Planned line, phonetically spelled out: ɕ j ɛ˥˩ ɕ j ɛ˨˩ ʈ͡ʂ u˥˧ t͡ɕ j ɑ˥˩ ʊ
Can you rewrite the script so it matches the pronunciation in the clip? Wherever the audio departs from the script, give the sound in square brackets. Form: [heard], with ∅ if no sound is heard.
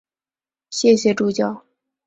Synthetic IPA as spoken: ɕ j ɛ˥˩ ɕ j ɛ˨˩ ʈ͡ʂ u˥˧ t͡ɕ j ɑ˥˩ ʊ